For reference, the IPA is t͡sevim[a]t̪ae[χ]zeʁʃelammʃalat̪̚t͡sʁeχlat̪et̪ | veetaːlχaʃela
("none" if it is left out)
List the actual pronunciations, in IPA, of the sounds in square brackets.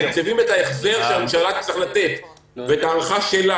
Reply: e, χ

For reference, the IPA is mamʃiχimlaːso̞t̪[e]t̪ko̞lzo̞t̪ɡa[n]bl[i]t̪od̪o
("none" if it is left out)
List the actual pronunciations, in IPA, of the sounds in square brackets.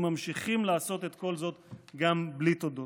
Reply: e, m, i

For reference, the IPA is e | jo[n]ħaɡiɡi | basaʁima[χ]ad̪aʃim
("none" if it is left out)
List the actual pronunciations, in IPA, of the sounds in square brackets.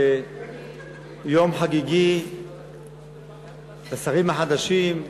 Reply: m, ħ

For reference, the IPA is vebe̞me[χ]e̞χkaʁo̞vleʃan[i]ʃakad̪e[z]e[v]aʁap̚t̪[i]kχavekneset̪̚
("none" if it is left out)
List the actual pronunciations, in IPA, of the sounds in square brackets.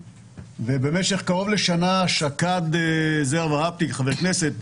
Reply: ʃ, a, z, v, i

